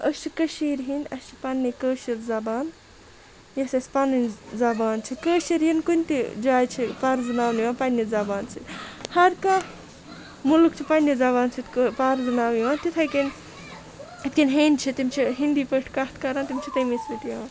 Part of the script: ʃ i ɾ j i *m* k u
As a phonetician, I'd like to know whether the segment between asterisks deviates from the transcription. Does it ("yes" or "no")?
yes